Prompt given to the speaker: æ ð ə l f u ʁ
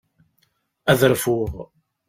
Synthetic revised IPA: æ ð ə ɾ f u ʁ